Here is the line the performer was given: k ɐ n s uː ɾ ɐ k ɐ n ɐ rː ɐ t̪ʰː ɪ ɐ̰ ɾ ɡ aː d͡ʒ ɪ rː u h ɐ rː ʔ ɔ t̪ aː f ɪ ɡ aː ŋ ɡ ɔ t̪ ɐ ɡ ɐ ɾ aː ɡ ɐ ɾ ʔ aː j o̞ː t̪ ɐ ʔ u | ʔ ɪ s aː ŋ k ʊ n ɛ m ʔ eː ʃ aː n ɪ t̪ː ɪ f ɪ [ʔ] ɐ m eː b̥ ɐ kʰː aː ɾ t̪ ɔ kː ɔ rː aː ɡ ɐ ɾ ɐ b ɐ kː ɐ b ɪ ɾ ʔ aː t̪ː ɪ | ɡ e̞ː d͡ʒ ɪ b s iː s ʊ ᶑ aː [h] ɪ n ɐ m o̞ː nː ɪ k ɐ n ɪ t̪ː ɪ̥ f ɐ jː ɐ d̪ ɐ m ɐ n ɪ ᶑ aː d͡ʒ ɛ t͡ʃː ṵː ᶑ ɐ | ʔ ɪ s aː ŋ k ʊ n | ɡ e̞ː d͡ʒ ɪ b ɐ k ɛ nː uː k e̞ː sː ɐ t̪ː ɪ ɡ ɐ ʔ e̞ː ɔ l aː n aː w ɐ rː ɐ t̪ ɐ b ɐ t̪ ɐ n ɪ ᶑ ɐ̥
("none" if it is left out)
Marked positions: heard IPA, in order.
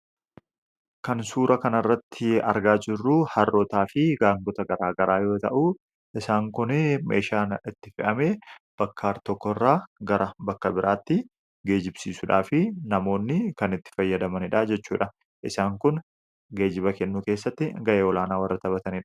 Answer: ʔ, f

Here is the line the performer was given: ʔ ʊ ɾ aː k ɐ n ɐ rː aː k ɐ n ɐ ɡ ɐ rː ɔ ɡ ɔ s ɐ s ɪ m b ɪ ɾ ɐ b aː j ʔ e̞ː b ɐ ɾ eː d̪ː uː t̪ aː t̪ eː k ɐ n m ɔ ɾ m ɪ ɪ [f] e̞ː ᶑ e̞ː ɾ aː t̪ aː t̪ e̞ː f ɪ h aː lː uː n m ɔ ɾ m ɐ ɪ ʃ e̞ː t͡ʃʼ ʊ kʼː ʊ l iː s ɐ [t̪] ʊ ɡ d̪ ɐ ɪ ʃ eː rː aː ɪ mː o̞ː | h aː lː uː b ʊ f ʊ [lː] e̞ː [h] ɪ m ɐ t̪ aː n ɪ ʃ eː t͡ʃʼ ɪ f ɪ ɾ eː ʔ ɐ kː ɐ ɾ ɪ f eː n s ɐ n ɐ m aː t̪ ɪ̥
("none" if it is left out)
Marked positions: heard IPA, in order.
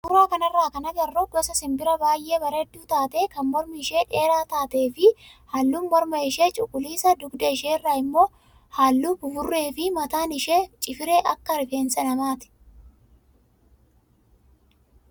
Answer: ʃ, d̪, rː, f

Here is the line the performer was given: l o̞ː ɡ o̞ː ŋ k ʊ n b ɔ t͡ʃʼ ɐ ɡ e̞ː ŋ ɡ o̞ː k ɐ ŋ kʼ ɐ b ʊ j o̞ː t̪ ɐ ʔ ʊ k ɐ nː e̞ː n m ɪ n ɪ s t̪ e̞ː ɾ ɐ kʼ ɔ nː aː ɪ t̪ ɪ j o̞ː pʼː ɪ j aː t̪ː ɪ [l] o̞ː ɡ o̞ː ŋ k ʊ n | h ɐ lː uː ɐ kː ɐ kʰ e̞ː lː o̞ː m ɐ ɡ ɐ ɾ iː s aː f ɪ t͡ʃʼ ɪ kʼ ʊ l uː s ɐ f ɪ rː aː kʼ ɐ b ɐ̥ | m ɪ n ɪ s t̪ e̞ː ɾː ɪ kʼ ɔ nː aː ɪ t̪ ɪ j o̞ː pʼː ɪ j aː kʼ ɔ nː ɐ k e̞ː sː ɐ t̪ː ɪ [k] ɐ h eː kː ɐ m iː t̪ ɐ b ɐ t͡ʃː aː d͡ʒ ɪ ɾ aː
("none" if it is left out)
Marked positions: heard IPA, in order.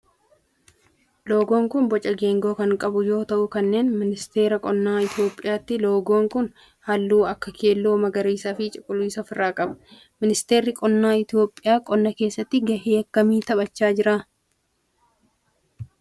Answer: l, ɡ

